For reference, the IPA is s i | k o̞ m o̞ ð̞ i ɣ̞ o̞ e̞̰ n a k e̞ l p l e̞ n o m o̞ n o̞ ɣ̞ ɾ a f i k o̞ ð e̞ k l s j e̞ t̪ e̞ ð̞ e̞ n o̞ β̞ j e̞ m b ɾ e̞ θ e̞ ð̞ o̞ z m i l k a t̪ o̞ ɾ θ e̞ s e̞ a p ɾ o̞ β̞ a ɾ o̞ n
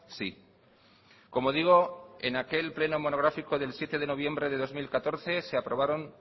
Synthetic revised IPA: s i | k o̞ m o̞ ð̞ i ɣ̞ o̞ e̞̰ n a k e̞ l p l e̞ n o m o̞ n o̞ ɣ̞ ɾ a f i k o̞ ð e̞ l s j e̞ t̪ e̞ ð̞ e̞ n o̞ β̞ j e̞ m b ɾ e̞ ð e̞ ð̞ o̞ z m i l k a t̪ o̞ ɾ θ e̞ s e̞ a p ɾ o̞ β̞ a ɾ o̞ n